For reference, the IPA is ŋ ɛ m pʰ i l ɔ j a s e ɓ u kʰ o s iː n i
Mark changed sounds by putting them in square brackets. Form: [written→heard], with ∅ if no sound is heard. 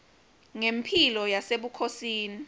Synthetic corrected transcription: ŋ [ɛ→e] m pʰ i l ɔ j a s e ɓ u kʰ o s iː n i